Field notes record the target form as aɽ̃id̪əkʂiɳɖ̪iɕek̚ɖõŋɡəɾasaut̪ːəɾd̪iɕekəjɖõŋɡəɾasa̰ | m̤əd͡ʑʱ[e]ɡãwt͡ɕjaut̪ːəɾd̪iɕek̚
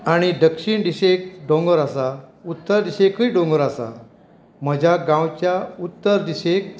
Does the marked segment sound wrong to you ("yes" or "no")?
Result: yes